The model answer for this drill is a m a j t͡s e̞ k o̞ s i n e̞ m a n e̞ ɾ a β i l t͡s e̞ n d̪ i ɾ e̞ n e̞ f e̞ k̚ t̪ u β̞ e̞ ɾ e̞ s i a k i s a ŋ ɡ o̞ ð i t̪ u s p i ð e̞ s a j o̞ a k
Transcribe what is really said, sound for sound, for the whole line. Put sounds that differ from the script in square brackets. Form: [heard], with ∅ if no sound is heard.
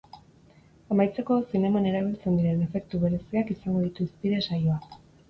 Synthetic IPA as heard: a m a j t͡s e̞ k o̞ s i n e̞ m a n e̞ ɾ a β i l t͡s e̞ n d̪ i ɾ e̞ n e̞ f e̞ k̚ t̪ u β̞ e̞ ɾ e̞ s i a k i s a ŋ ɡ o̞ ð i t̪ u s p i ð e̞ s a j o̞ a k